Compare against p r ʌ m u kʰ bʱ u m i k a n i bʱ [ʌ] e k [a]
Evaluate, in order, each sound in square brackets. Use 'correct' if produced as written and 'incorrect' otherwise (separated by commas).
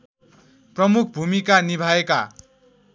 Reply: incorrect, correct